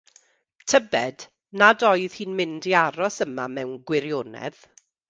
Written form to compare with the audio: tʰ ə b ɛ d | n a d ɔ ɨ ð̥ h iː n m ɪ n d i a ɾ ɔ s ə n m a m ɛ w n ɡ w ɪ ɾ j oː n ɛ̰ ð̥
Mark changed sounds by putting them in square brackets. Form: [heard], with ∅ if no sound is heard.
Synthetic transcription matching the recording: tʰ ə b ɛ d | n a d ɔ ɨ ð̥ h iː n m ɪ n d i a ɾ ɔ s ə [∅] m a m ɛ w n ɡ w ɪ ɾ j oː n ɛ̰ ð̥